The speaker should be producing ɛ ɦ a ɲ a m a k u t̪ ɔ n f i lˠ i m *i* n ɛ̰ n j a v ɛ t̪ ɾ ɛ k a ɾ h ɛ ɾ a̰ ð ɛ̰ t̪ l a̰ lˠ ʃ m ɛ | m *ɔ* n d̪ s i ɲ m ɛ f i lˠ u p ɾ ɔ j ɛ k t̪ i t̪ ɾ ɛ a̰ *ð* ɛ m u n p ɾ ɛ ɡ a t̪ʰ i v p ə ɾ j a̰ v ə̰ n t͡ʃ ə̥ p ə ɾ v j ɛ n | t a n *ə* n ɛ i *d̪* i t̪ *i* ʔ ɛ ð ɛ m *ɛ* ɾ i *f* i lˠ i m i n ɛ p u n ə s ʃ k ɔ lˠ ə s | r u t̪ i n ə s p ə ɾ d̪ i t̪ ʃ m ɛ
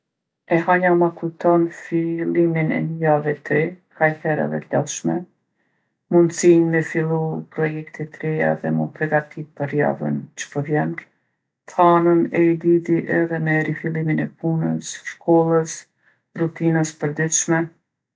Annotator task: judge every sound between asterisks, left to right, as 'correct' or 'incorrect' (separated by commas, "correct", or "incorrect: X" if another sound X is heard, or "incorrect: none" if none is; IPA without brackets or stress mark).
correct, incorrect: u, correct, correct, correct, correct, correct, correct